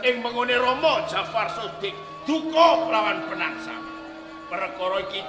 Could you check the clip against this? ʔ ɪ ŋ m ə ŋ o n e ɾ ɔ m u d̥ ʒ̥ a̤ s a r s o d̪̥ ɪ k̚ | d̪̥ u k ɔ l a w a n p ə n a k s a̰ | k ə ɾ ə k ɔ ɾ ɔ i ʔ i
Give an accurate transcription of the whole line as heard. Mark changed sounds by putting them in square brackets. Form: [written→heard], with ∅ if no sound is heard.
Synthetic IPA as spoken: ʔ ɪ ŋ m ə ŋ o n e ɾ ɔ m [u→ɔ] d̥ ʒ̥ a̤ [s→f] a r s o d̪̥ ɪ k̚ | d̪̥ u k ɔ l a w a n p ə n a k s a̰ | [k→p] ə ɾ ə k ɔ ɾ ɔ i [ʔ→k] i